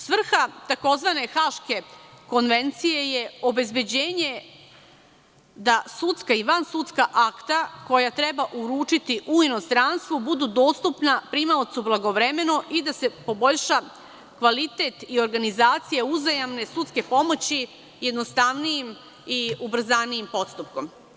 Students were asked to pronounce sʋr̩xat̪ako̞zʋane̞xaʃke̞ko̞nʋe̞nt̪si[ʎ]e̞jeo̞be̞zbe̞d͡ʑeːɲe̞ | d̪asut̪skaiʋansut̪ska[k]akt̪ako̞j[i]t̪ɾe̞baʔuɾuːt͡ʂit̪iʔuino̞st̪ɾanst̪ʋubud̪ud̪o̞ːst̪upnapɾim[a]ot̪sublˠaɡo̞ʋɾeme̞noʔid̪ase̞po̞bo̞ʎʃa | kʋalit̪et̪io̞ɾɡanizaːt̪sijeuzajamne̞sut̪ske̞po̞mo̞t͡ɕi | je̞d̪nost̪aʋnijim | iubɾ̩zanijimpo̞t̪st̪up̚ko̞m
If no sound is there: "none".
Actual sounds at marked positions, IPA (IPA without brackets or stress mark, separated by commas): j, ʔ, a, a